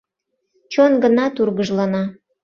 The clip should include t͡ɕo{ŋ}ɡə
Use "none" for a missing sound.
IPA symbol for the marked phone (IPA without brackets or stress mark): n